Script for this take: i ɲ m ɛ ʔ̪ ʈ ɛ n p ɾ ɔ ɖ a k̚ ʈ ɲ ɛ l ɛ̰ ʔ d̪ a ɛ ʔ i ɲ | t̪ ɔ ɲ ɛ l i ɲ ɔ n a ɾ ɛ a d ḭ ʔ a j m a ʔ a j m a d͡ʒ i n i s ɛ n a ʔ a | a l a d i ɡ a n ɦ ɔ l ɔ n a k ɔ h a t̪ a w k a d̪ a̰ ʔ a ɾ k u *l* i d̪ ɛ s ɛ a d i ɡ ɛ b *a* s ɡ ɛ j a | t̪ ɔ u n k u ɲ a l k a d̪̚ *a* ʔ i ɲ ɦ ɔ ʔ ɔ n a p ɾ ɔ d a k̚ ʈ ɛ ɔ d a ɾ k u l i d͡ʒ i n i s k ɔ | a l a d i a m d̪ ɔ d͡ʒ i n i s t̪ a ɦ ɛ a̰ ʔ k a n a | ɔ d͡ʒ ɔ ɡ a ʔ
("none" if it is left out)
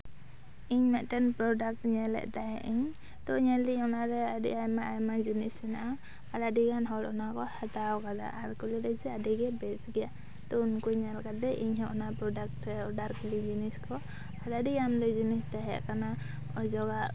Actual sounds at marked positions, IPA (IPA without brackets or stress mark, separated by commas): l, ɛ, ɛ